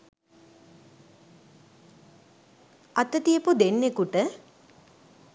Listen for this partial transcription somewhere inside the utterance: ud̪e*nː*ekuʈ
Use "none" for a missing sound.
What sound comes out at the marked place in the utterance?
nː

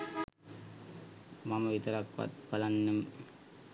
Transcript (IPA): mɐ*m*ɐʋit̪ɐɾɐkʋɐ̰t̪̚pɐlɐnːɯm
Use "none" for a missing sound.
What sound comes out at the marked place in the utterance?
m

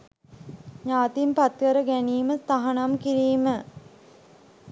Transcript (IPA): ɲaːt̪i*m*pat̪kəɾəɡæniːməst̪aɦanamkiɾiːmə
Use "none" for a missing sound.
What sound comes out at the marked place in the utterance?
m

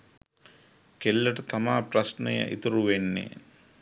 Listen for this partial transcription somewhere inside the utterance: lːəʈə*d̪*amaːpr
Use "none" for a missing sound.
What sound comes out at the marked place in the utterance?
t̪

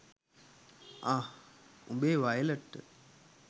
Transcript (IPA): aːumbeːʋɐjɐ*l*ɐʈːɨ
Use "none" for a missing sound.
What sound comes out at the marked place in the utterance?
l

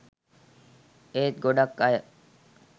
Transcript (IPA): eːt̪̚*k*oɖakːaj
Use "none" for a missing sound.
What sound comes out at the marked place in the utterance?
ɡ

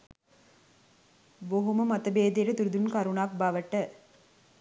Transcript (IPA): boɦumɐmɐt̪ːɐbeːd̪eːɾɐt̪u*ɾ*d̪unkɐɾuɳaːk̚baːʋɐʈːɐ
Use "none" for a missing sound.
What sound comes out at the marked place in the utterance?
ɾ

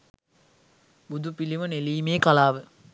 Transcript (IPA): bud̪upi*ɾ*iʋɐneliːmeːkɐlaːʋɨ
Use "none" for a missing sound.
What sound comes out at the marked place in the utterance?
l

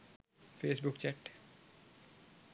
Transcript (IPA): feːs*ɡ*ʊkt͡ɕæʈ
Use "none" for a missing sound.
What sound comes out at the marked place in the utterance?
b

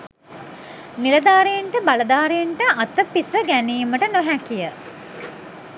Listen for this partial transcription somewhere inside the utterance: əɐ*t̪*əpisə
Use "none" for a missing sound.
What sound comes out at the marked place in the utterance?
t̪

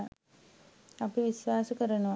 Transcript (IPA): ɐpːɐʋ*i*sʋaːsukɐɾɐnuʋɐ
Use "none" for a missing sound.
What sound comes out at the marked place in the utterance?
i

